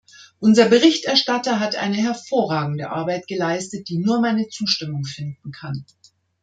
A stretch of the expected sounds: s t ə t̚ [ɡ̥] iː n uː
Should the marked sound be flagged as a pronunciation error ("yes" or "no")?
yes